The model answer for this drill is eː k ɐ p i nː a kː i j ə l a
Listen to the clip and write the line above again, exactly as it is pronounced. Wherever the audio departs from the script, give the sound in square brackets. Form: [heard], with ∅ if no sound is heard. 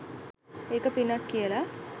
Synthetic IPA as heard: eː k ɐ p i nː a kː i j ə l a